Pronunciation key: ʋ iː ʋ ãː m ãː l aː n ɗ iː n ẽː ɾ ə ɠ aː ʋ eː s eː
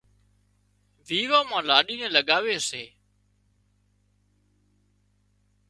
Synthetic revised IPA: ʋ iː ʋ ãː m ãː l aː ɗ iː n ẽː l ə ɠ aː ʋ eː s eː